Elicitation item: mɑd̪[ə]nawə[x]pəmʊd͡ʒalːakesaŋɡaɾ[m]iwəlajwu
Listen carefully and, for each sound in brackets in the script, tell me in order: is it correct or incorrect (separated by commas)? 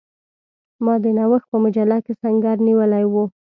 correct, correct, incorrect